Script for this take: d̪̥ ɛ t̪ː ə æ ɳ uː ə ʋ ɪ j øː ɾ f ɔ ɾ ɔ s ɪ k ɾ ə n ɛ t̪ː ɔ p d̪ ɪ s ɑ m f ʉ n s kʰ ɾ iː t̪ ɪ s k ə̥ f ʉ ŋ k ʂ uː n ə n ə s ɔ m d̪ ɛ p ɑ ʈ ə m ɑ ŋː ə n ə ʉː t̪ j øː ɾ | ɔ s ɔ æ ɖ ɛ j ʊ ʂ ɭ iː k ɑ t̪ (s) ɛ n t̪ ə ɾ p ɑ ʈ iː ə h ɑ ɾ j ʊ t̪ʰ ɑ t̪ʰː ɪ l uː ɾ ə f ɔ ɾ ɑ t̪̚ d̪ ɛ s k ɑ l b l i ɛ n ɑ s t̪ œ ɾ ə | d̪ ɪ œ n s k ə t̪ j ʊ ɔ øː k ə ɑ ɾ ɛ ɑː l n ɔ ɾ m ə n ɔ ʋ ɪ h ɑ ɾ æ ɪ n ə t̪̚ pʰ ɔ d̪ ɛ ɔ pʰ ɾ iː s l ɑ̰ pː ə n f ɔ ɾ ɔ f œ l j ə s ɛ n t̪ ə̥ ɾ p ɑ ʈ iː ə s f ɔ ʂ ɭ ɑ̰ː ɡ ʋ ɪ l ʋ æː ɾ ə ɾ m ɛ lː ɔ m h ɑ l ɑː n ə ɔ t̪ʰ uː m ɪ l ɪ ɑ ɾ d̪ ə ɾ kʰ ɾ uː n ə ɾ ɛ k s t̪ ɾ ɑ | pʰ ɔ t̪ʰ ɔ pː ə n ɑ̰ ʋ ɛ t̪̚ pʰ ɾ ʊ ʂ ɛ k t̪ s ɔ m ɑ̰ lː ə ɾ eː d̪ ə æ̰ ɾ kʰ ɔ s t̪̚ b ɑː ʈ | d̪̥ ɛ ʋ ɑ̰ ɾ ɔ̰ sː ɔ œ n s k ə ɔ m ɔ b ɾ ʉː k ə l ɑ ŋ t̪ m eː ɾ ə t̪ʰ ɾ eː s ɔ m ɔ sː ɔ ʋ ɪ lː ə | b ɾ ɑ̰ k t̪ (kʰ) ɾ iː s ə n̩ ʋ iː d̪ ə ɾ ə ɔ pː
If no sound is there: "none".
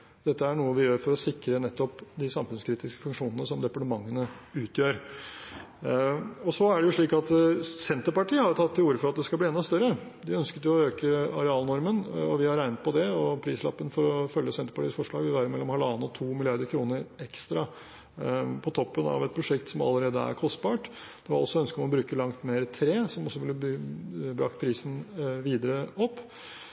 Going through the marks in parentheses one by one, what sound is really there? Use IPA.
s, pʰ

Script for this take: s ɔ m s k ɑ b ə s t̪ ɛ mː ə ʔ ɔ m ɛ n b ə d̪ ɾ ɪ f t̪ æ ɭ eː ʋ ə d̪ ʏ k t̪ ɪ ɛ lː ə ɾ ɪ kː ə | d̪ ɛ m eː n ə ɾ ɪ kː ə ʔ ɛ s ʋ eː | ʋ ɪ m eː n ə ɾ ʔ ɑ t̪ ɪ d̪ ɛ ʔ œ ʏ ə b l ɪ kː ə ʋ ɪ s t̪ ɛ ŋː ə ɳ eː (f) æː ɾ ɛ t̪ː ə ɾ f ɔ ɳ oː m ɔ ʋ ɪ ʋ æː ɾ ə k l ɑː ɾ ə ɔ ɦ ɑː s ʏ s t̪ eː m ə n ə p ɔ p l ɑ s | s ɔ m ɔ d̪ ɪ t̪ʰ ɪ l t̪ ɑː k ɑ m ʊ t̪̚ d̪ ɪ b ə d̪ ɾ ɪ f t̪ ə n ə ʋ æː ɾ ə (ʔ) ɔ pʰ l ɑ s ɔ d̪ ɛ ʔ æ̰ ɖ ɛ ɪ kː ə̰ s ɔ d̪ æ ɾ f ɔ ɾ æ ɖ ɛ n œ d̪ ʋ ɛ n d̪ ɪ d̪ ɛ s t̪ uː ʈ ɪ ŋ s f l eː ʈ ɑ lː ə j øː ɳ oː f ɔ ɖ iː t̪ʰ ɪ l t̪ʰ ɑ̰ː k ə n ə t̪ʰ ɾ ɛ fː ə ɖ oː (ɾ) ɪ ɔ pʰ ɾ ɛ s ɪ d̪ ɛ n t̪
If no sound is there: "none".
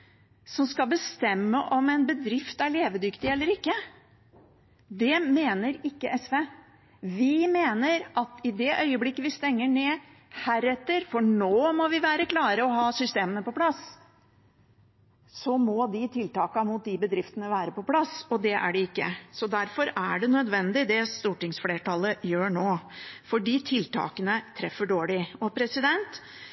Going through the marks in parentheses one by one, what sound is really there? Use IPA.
h, p, ɭ

